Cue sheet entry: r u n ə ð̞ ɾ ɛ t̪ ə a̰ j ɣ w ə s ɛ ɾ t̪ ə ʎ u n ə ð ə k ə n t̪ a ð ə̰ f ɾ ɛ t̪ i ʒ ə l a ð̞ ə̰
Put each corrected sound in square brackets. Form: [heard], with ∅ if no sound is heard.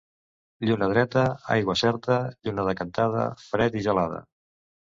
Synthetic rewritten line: [ʎ] u n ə ð̞ ɾ ɛ t̪ ə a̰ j ɣ w ə s ɛ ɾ t̪ ə ʎ u n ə ð ə k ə n t̪ a ð ə̰ f ɾ ɛ t̪ i ʒ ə l a ð̞ ə̰